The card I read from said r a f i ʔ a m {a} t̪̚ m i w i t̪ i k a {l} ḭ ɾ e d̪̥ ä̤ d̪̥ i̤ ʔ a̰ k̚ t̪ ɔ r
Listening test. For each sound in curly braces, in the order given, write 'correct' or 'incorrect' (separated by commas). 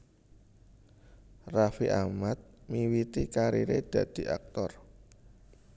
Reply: correct, incorrect